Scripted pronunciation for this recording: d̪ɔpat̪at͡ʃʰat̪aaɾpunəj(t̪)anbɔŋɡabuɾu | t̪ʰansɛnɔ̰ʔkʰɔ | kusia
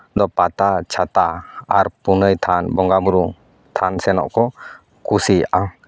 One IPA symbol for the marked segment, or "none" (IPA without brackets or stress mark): t̪ʰ